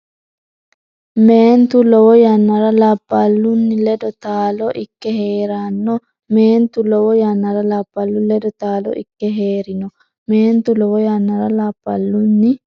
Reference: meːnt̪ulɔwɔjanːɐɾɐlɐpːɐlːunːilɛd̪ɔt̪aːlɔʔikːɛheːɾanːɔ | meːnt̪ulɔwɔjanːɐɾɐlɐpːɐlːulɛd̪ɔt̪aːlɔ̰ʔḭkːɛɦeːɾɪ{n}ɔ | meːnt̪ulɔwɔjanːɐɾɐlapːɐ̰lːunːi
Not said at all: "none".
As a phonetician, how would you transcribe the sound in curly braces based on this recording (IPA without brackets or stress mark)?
n